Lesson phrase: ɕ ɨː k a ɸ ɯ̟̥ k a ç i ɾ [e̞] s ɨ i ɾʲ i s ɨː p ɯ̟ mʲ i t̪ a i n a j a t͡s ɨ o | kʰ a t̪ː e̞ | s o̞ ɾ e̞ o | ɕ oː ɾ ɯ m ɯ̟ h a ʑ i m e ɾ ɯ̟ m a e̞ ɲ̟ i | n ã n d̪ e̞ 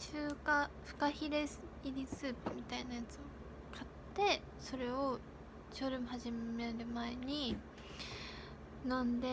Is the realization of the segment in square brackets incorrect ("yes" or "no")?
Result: no